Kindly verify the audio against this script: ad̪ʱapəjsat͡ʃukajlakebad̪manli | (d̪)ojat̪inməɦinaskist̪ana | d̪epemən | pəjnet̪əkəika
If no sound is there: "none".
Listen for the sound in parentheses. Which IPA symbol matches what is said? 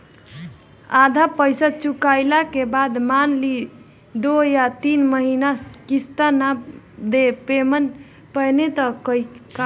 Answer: d̪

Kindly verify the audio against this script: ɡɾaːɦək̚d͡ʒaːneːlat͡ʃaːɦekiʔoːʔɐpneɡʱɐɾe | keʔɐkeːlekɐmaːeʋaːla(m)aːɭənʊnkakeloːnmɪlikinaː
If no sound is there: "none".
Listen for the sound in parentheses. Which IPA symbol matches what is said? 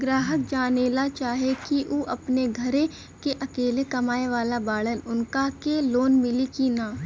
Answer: b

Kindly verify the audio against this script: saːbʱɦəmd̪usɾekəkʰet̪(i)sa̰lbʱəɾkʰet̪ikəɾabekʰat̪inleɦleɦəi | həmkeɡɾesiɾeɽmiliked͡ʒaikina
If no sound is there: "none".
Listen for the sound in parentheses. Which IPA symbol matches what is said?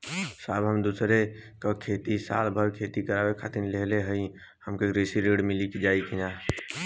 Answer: i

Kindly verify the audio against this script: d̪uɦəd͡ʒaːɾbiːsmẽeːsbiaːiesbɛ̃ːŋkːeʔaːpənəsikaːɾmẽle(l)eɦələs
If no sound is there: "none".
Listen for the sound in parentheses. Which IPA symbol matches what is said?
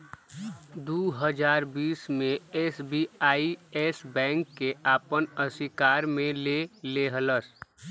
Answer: l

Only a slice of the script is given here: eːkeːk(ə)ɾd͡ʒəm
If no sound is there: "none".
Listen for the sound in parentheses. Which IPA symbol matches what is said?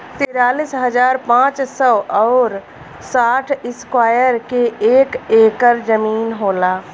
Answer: ə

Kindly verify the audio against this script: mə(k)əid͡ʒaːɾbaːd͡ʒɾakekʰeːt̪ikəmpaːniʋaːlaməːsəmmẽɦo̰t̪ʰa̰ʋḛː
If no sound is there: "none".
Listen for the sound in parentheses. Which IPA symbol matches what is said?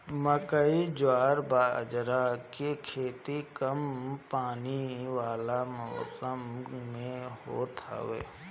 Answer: k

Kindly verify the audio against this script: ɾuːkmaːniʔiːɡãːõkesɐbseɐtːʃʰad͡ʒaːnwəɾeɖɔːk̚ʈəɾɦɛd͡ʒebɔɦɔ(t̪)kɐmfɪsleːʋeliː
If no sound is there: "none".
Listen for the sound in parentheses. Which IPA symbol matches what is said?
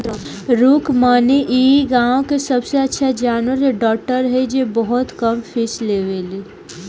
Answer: t̪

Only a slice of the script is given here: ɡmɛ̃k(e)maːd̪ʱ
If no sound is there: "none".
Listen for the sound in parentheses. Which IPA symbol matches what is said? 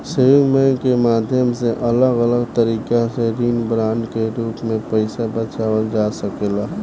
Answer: e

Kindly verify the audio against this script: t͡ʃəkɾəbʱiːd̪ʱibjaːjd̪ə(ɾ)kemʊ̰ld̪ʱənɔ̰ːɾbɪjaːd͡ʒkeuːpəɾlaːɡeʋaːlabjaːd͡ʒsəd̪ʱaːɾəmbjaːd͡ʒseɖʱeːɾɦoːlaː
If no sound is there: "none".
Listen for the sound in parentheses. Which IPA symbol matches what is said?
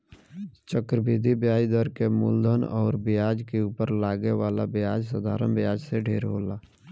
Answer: ɾ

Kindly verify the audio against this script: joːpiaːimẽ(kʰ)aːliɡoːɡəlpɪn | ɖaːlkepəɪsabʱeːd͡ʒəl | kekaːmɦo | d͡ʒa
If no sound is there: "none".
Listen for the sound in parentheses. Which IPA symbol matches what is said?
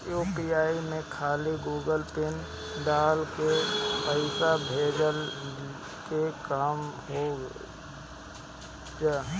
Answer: kʰ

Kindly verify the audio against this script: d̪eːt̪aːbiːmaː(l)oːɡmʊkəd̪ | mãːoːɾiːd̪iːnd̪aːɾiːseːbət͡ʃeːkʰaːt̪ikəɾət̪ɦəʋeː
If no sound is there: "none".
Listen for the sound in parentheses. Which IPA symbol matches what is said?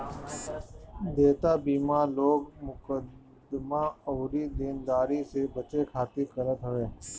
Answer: l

